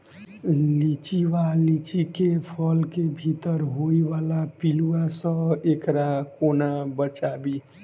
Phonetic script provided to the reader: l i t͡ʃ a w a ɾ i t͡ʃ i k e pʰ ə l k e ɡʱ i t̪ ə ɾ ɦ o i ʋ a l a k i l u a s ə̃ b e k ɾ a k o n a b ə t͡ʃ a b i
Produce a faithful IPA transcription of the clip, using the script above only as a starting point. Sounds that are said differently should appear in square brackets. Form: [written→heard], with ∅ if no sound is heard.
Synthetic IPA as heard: l i t͡ʃ [a→i] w a [ɾ→l] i t͡ʃ i k e pʰ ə l k e [ɡʱ→bʱ] i t̪ ə ɾ ɦ o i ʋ a l a [k→p] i l u a s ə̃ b e k ɾ a k o n a b ə t͡ʃ a b i